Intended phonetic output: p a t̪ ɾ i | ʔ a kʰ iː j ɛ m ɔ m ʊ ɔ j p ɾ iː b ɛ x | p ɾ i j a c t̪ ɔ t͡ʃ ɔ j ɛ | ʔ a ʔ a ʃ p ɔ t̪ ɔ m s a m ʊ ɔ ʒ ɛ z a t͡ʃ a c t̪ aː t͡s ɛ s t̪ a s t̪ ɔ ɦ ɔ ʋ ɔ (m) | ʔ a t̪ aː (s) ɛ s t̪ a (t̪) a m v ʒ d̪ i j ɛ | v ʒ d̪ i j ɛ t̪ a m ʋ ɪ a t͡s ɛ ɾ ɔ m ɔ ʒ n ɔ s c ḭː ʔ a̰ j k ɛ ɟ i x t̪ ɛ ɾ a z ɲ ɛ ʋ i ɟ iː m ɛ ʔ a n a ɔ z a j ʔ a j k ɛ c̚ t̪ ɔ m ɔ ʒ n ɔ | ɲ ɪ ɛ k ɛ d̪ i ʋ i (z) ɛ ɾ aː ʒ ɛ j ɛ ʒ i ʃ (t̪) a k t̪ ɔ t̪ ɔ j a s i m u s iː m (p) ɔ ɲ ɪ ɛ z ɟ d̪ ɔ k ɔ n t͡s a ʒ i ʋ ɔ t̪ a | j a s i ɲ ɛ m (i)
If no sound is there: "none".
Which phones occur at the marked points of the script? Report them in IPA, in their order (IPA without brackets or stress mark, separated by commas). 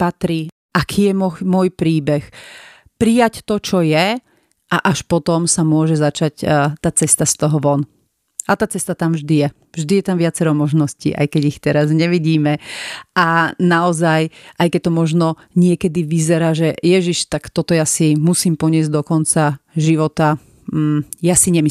n, t͡s, t̪, z, t̪, p, i